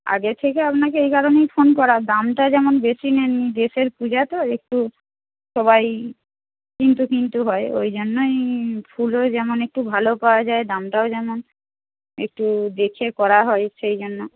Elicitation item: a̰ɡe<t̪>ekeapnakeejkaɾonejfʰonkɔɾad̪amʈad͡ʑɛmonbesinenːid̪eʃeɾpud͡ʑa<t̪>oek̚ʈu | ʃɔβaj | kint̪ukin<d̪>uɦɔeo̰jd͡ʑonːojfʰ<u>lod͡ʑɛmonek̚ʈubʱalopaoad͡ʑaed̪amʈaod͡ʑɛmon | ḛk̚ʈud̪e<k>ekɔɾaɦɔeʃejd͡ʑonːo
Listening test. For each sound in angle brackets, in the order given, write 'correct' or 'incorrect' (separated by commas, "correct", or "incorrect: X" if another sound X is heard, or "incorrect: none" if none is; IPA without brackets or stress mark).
incorrect: t̪ʰ, correct, incorrect: t̪, correct, incorrect: kʰ